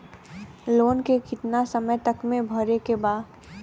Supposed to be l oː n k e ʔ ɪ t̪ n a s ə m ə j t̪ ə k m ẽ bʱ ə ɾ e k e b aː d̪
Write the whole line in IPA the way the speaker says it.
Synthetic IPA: l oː n k e k ɪ t̪ n a s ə m ə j t̪ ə k m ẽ bʱ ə ɾ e k e b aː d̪